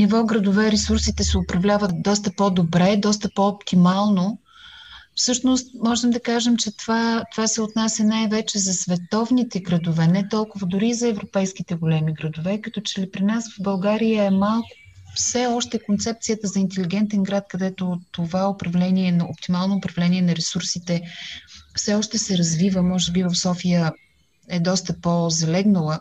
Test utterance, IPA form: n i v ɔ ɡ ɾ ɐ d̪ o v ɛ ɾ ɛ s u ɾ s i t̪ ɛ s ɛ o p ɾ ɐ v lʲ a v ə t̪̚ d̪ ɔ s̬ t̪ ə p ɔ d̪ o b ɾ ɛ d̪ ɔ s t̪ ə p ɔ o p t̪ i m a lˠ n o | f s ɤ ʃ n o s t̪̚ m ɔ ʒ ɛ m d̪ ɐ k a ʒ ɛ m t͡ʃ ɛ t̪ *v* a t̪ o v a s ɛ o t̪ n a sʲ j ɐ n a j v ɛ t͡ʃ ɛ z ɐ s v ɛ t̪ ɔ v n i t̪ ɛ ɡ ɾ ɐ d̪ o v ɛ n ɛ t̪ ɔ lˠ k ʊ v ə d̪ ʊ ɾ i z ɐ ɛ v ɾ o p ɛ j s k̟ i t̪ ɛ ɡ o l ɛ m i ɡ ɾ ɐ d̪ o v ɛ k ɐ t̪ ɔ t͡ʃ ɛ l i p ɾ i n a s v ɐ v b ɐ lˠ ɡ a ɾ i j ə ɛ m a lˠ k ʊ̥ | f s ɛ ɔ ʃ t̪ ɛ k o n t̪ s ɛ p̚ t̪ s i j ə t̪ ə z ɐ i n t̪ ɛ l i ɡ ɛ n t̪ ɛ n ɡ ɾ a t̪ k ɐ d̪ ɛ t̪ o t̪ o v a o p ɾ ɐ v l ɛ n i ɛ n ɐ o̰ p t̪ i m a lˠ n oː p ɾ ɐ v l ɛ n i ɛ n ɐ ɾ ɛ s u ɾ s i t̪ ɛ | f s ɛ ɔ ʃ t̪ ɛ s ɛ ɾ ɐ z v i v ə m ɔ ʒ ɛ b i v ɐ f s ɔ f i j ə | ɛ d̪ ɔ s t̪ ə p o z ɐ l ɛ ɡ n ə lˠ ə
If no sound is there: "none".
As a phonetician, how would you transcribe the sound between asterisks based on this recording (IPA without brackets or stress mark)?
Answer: v